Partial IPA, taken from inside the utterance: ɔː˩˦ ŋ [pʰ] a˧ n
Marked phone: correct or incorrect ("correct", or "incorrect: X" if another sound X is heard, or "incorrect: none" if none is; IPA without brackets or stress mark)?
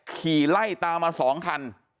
incorrect: kʰ